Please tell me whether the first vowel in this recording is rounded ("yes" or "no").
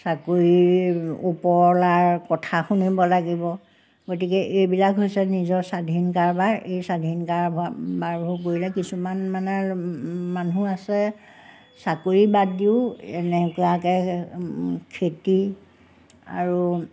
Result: no